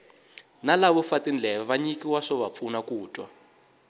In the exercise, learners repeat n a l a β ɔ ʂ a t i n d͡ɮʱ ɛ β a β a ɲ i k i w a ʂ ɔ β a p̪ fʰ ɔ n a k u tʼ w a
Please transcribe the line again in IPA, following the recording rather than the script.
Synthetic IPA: n a l a β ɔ f a t i n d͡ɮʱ ɛ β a β a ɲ i k i w a ʂ ɔ β a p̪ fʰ u n a k uː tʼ w a